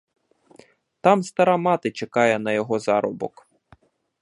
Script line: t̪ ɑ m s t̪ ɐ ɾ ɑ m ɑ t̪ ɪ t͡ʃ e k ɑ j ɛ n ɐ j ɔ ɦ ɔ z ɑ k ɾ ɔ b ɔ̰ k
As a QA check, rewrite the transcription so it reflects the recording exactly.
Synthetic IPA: t̪ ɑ m s t̪ ɐ ɾ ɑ m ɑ t̪ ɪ t͡ʃ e k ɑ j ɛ n ɐ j ɔ ɦ ɔ z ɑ ɾ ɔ b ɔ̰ k